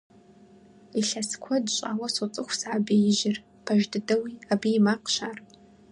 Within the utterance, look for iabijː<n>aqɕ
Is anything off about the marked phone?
yes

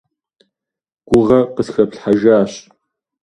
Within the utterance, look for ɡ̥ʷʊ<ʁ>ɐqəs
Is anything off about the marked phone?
no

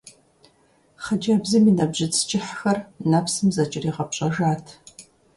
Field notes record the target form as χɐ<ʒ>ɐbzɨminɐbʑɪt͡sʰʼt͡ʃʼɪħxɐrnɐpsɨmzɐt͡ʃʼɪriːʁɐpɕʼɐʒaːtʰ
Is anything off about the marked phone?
yes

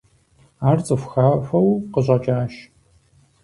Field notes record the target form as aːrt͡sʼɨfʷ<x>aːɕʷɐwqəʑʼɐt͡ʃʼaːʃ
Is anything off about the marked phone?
no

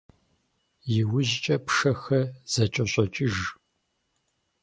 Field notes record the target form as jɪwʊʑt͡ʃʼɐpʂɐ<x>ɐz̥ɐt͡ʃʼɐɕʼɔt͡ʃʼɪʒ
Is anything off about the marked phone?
no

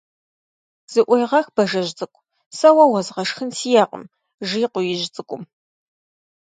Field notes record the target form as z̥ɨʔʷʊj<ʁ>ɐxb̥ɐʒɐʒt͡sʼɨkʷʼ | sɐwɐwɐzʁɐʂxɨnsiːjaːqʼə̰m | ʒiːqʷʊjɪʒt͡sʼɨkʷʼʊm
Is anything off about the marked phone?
no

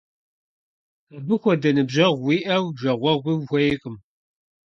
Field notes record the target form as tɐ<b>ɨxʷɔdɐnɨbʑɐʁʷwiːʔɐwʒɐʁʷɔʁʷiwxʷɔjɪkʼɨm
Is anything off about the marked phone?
no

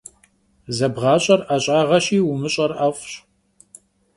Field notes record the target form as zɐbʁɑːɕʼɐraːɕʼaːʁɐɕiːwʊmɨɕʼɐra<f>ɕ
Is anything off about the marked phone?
no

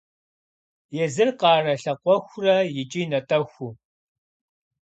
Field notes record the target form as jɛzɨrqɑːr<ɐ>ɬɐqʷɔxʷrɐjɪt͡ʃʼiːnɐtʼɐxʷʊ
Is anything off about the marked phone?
no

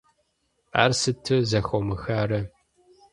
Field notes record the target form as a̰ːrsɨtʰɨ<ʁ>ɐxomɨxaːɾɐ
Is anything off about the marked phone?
yes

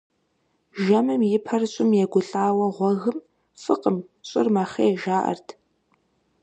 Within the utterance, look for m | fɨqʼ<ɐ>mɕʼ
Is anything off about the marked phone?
yes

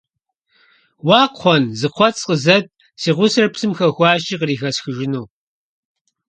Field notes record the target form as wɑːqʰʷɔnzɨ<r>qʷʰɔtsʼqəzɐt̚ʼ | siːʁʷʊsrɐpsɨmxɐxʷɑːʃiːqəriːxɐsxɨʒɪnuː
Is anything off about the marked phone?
yes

